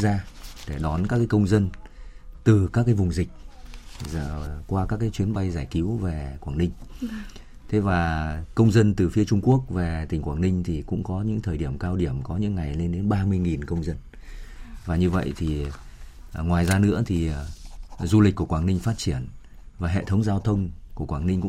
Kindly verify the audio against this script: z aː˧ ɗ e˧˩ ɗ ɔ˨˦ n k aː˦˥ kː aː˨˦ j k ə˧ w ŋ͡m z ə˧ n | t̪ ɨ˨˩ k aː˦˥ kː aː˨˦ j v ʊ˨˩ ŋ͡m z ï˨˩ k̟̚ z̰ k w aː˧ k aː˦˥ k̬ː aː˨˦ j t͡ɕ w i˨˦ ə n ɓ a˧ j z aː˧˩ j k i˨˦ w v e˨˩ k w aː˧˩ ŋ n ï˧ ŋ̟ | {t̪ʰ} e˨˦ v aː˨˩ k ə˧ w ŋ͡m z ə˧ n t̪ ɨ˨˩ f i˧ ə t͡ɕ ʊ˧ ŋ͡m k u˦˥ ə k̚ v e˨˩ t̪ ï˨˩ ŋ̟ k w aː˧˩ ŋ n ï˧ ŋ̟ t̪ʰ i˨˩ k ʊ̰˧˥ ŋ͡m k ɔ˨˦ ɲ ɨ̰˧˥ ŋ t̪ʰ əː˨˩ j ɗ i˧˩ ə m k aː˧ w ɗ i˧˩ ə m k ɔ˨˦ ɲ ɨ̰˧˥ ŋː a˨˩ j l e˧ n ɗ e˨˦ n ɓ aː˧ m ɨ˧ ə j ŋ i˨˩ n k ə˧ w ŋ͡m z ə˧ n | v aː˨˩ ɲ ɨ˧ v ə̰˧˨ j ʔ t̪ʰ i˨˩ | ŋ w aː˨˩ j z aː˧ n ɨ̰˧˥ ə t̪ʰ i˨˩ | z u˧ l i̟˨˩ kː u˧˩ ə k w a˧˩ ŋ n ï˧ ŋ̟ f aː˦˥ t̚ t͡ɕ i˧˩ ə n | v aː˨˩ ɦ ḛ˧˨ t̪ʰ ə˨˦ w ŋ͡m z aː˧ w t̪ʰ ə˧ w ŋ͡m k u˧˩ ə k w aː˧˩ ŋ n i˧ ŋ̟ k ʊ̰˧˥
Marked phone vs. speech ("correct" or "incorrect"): correct